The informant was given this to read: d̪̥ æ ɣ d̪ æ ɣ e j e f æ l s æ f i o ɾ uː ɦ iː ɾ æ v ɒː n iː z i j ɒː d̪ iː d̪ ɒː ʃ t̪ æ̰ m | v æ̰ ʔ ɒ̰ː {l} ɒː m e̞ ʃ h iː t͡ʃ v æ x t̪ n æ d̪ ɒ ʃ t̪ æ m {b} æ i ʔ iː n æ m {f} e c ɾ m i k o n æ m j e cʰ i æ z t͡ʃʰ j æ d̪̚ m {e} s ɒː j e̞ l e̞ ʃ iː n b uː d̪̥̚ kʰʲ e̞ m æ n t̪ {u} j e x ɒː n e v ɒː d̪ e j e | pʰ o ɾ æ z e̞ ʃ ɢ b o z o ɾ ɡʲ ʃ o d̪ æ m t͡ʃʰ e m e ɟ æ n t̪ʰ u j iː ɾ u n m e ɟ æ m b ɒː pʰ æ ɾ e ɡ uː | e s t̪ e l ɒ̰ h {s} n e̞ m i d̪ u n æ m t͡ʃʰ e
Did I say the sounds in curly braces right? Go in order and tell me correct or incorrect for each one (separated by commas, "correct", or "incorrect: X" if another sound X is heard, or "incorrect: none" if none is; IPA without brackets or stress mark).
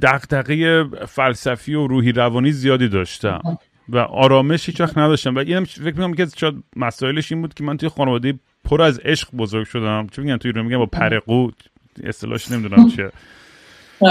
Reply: incorrect: ɾ, incorrect: v, correct, incorrect: æ, correct, incorrect: ʃ